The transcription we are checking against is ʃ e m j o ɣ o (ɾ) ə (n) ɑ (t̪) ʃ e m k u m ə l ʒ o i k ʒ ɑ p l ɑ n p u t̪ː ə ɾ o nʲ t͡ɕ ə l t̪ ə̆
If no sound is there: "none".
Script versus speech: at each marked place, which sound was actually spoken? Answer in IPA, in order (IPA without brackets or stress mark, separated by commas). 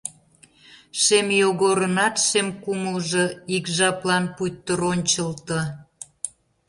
ɾ, n, t̪